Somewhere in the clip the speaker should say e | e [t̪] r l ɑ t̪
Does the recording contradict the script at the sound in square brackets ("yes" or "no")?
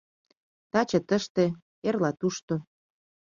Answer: yes